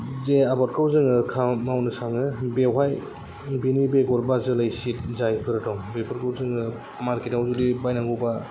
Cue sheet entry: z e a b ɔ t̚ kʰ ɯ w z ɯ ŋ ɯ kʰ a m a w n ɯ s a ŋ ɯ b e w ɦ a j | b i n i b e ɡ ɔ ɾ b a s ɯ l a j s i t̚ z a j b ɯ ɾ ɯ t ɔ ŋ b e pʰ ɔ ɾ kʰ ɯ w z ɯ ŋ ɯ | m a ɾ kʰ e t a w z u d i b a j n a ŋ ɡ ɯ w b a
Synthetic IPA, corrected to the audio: z e a b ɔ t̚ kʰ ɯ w z ɯ ŋ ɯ kʰ a m a w n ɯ s a ŋ ɯ b e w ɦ a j | b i n i b e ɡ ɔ ɾ b a z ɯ l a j s i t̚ z a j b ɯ ɾ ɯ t ɔ ŋ b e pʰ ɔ ɾ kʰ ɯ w z ɯ ŋ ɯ | m a ɾ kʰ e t a w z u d i b a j n a ŋ ɡ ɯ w b a

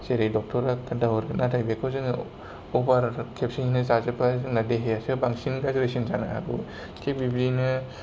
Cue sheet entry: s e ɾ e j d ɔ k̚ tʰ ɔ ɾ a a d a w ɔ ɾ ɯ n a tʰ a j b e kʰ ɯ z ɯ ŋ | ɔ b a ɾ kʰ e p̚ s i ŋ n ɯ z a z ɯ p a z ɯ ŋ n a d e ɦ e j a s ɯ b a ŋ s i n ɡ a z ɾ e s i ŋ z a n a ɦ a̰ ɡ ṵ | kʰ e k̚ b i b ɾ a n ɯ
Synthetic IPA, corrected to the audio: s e ɾ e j d ɔ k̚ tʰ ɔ ɾ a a d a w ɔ ɾ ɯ n a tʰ a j b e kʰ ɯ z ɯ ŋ | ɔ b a ɾ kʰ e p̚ s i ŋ n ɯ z a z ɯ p a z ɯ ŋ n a d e ɦ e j a s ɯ b a ŋ s i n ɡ a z ɾ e s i n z a n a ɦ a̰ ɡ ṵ | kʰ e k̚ b i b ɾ i n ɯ

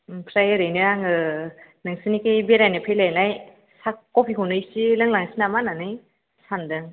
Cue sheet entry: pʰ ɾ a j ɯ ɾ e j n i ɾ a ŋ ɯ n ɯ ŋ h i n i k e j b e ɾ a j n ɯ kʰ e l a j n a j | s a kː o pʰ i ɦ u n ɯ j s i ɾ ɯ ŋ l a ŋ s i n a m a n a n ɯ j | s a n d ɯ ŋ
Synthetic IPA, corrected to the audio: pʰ ɾ a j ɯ ɾ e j n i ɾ a ŋ ɯ n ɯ ŋ s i n i k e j b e ɾ a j n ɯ pʰ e l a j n a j | s a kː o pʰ i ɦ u n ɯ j s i l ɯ ŋ l a ŋ s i n a m a n a n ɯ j | s a n d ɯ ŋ

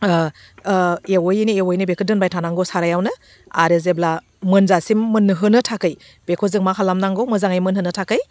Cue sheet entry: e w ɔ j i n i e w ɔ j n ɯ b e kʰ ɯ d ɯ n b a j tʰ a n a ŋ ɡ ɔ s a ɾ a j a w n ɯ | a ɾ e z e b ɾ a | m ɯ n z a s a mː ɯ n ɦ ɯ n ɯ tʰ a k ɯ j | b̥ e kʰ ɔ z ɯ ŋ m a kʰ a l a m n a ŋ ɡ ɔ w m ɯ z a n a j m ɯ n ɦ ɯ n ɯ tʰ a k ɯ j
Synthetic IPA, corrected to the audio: e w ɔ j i n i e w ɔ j n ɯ b e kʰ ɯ d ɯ n b a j tʰ a n a ŋ ɡ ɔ s a ɾ a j a w n ɯ | a ɾ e z e b l a | m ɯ n z a s i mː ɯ n ɦ ɯ n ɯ tʰ a k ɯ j | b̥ e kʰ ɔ z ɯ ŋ m a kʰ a l a m n a ŋ ɡ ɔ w m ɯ z a ŋ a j m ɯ n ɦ ɯ n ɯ tʰ a k ɯ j

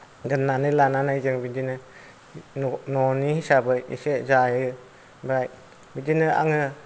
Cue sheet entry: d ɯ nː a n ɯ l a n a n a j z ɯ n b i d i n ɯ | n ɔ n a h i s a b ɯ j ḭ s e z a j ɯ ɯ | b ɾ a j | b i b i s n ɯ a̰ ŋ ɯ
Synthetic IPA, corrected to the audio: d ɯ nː a n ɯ l a n a n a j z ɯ ŋ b i d i n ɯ | n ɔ n i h i s a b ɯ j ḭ s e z a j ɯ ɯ | b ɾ a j | b i d i n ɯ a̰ ŋ ɯ

